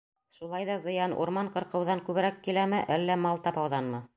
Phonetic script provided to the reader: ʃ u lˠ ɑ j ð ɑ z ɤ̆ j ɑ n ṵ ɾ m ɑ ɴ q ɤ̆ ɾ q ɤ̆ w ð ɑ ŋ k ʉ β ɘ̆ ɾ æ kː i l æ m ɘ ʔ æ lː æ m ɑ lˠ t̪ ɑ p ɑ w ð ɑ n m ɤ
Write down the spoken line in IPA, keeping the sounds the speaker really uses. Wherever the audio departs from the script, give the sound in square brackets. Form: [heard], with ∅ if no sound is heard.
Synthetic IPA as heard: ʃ u lˠ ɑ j ð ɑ z ɤ̆ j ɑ n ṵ ɾ m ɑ ɴ q ɤ̆ ɾ q ɤ̆ w ð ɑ ŋ k ʉ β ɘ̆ ɾ æ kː i l æ m ɘ ʔ æ lː æ m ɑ lˠ t̪ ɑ p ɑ w ð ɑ n m ɤ